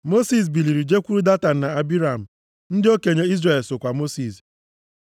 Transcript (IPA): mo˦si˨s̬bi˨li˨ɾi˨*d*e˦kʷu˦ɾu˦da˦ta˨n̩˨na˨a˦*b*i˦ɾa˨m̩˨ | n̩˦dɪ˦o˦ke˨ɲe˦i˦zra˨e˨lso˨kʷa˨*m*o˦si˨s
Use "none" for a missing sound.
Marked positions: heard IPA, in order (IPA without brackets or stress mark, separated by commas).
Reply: d͡ʒ, b, m